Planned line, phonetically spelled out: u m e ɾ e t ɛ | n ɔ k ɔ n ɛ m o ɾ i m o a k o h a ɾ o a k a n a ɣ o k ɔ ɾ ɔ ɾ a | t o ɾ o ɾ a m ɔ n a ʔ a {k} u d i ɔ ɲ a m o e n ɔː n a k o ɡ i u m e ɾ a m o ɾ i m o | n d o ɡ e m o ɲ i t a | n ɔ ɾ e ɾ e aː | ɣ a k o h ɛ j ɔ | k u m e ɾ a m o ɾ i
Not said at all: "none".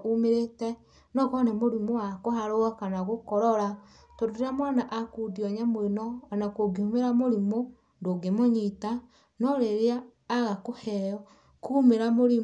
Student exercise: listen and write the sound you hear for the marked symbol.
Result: k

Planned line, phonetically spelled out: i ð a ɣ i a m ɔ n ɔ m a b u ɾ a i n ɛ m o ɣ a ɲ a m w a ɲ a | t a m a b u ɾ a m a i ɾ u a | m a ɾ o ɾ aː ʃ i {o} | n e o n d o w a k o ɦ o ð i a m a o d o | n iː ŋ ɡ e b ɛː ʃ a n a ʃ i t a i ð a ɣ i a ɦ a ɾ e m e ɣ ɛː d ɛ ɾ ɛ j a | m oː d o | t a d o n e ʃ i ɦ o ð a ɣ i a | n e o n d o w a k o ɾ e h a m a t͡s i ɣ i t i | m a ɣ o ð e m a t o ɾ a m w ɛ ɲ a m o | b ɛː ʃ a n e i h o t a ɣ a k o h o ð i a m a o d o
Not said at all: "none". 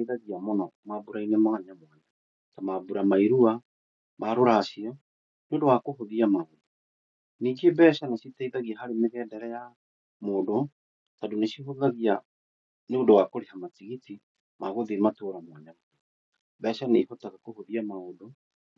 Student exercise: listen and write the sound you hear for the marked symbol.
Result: ɔ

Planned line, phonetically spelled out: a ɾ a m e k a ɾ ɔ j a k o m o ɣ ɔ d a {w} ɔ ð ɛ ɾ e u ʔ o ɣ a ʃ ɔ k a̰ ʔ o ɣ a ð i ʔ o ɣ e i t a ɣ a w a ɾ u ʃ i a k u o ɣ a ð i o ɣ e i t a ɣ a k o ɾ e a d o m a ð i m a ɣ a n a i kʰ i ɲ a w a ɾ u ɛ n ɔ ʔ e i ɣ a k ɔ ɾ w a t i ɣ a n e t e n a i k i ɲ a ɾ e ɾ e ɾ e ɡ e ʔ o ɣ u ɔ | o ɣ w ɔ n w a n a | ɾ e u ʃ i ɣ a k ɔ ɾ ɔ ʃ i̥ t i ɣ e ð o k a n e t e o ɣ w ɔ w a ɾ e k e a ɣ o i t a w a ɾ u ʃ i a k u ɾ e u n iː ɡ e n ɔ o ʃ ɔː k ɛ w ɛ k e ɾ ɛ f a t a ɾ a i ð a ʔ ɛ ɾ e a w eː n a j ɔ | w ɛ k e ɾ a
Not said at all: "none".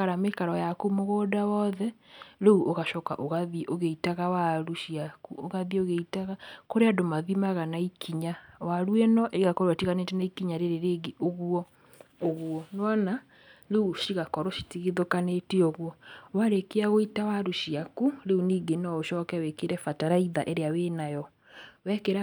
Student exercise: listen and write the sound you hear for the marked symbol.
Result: w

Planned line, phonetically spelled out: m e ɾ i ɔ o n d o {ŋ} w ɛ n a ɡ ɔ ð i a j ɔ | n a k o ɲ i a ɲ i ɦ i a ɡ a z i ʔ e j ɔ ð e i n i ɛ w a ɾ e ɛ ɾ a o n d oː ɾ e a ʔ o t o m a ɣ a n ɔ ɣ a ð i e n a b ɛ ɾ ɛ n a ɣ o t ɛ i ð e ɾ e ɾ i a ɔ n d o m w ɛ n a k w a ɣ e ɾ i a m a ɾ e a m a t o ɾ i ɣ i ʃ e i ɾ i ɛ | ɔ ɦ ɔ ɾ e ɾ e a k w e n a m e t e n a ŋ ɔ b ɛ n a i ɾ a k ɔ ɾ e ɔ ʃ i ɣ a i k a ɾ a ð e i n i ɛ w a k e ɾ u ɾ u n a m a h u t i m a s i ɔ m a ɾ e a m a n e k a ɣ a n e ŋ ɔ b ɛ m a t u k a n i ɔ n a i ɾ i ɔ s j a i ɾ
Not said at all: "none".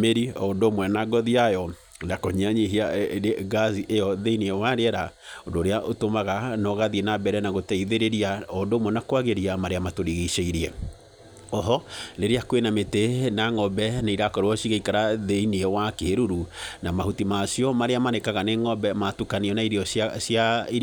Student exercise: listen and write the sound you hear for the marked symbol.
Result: m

